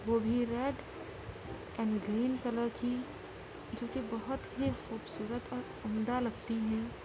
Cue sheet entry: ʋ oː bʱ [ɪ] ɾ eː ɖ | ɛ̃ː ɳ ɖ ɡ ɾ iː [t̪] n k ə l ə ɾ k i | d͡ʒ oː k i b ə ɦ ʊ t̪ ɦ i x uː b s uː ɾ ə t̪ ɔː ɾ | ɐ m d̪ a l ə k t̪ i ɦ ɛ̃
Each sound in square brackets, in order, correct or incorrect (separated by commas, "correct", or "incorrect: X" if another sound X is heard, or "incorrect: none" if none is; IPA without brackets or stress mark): incorrect: i, incorrect: none